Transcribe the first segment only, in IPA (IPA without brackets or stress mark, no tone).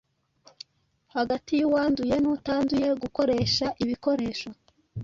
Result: h